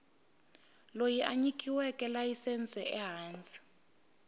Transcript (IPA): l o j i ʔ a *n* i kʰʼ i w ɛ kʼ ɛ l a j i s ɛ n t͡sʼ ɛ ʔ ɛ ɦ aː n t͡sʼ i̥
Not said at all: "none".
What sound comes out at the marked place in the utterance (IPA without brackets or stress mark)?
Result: ɲ